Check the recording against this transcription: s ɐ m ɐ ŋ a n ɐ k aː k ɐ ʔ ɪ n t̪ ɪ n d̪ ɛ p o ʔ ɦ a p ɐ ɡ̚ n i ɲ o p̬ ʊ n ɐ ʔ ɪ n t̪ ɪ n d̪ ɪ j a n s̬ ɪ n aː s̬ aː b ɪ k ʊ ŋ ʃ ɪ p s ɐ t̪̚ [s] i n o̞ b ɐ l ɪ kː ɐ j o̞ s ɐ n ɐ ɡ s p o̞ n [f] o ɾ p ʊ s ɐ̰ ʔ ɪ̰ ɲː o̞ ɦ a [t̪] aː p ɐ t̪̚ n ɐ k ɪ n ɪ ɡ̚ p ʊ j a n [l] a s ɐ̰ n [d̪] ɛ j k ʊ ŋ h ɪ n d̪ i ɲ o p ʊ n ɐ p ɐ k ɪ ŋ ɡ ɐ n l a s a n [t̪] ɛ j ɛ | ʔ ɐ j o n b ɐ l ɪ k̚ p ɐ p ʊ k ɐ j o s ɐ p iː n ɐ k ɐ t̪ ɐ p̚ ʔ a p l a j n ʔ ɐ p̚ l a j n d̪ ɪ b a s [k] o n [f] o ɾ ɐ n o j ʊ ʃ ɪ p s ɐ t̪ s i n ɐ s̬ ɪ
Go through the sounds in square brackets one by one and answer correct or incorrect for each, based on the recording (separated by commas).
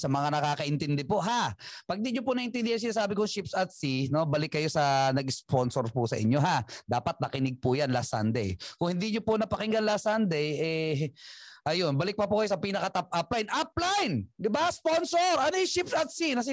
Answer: correct, incorrect, incorrect, correct, correct, incorrect, incorrect, incorrect